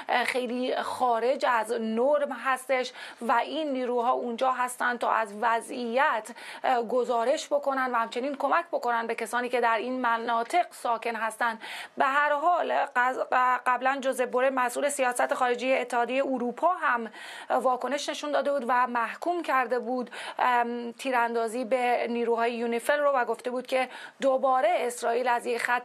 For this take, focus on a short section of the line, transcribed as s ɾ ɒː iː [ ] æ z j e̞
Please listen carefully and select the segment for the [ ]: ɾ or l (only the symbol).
l